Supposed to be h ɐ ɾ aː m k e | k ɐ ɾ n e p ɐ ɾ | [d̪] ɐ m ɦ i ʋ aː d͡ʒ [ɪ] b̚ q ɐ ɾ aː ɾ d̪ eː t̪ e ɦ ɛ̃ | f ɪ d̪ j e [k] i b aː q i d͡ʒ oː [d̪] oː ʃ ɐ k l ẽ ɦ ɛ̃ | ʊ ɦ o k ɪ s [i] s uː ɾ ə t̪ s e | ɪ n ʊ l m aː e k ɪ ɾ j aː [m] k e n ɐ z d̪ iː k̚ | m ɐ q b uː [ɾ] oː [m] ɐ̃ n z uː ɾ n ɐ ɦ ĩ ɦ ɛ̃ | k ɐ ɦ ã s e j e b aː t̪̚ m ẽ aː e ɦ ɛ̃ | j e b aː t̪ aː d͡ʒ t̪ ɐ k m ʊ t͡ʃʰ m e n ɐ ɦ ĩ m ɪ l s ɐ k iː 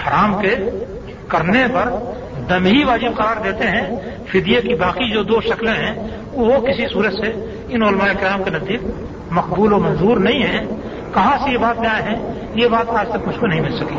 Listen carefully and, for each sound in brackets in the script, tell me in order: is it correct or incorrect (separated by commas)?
correct, correct, correct, correct, correct, correct, incorrect, correct